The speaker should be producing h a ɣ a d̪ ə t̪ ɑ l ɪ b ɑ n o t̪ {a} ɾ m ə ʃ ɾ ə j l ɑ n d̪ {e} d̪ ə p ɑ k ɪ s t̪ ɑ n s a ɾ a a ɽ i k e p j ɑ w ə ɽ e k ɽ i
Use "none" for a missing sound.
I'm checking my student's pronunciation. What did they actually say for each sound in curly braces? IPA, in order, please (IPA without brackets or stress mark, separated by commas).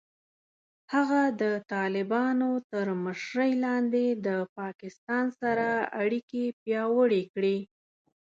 ə, e